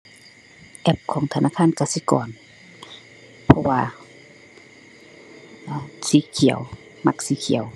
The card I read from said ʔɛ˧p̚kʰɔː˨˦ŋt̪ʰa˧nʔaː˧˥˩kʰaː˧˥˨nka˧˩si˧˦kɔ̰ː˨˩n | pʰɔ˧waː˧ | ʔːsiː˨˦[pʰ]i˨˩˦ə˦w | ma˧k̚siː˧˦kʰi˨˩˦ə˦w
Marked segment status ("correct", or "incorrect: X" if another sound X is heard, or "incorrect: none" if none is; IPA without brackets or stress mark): incorrect: kʰ